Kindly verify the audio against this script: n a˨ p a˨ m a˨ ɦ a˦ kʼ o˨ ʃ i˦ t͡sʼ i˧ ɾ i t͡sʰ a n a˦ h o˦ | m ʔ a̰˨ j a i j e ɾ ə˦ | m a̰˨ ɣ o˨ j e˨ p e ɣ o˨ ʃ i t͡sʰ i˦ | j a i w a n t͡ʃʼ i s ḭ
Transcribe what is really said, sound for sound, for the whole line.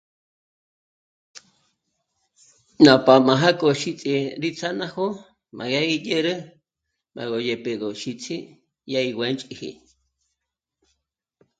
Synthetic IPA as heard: n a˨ p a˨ m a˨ ɦ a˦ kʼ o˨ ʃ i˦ t͡sʼ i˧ ɾ i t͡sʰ a n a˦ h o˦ | m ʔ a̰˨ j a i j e ɾ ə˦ | m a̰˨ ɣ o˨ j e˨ p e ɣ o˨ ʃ i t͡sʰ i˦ | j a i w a n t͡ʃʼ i h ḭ